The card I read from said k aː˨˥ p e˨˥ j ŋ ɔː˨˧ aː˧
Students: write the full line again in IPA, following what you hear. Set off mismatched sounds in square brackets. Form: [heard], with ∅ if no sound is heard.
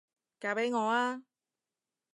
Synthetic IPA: k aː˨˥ p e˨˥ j ŋ ɔː˨˧ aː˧